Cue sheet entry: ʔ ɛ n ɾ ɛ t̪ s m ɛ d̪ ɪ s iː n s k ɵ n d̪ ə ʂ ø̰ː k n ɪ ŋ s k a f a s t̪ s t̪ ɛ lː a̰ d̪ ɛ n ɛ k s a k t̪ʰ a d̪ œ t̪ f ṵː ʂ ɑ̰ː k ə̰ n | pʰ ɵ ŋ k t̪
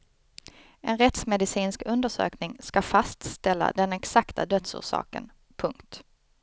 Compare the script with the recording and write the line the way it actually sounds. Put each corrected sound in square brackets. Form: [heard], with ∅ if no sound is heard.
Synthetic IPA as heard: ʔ ɛ n ɾ ɛ t̪ s m ɛ d̪ ɪ s iː n s k ɵ n d̪ ə ʂ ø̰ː k n ɪ ŋ s k a f a s t̪ s t̪ ɛ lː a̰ d̪ ɛ n ɛ k s a k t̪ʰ a d̪ œ t̪ [s] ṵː ʂ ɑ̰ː k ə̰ n | pʰ ɵ ŋ k t̪